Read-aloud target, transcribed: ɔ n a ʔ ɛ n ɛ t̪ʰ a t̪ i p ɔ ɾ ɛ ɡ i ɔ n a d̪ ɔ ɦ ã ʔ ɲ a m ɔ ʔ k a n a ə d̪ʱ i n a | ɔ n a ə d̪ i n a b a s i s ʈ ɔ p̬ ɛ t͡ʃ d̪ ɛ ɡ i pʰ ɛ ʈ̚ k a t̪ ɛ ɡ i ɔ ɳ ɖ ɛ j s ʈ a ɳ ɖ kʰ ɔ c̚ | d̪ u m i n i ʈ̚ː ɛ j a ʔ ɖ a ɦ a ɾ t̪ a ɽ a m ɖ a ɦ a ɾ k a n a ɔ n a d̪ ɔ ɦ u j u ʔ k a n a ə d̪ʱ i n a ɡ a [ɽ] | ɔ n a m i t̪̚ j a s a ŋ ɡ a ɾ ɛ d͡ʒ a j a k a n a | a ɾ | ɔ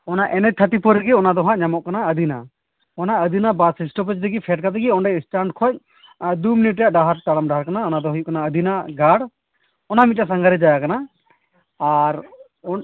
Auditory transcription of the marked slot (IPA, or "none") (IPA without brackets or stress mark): ɽ